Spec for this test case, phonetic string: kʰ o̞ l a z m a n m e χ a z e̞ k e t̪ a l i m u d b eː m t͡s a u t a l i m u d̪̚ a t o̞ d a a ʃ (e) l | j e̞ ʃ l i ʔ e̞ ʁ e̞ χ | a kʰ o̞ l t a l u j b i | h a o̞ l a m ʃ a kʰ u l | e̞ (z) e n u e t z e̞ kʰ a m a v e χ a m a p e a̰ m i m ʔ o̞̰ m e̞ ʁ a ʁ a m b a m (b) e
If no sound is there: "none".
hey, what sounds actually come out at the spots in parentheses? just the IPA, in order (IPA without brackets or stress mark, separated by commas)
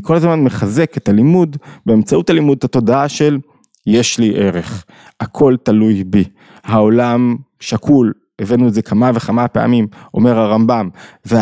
e, v, v